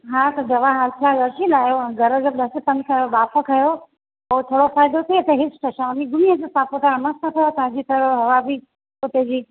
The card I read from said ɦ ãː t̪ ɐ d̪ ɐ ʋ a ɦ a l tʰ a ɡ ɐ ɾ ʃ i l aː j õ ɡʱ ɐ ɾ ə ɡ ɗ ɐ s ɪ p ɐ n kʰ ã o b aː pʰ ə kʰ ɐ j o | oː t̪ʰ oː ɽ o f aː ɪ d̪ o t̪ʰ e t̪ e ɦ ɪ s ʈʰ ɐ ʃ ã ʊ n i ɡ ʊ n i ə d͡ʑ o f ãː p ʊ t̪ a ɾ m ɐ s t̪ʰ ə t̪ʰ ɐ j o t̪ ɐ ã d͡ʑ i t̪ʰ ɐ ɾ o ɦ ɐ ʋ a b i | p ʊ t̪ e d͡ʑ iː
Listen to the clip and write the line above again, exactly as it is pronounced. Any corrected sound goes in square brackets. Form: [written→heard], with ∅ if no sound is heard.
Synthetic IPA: ɦ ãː t̪ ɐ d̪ ɐ ʋ a ɦ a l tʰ a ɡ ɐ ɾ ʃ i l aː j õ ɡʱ ɐ ɾ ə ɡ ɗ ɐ s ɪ p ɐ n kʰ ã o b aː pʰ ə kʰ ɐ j o | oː t̪ʰ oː ɽ o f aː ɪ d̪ o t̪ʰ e t̪ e ɦ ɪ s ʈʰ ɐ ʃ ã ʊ n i ɡ ʊ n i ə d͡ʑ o [f→s] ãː p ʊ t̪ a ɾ m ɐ s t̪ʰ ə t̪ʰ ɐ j o t̪ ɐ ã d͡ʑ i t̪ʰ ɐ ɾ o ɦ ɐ ʋ a b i | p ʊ t̪ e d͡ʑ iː